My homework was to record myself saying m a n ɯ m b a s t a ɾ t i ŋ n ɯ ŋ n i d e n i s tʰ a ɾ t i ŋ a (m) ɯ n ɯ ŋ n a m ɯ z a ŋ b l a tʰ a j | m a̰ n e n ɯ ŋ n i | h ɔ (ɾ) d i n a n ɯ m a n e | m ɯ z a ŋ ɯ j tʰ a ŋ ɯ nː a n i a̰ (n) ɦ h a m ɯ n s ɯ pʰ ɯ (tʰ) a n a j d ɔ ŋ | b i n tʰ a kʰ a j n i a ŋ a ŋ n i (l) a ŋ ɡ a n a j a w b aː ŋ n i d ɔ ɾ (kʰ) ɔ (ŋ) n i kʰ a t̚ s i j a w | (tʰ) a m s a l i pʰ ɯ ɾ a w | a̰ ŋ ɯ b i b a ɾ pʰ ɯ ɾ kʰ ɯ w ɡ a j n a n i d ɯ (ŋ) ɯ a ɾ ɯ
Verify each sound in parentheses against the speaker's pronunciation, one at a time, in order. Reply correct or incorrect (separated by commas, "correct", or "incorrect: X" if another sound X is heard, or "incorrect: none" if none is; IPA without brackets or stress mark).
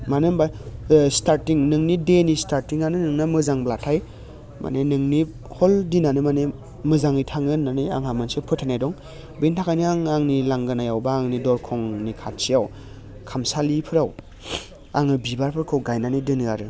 incorrect: n, incorrect: l, incorrect: ŋ, correct, correct, correct, correct, incorrect: kʰ, incorrect: n